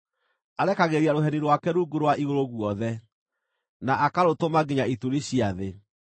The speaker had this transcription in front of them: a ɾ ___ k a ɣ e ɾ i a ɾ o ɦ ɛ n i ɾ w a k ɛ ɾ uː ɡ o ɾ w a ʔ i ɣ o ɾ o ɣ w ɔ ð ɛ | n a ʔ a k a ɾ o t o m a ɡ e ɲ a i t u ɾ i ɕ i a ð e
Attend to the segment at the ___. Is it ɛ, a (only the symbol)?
ɛ